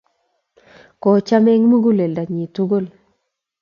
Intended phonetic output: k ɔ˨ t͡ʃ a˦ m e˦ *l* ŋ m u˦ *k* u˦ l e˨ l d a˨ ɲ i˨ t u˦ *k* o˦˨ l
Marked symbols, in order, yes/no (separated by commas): no, no, no